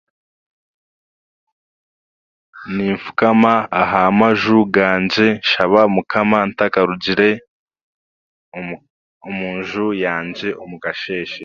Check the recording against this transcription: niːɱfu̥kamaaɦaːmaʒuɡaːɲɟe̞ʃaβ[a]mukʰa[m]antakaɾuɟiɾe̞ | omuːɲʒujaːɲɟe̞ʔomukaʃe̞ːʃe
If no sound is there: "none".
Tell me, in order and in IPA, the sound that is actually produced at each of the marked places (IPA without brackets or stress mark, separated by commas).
a, m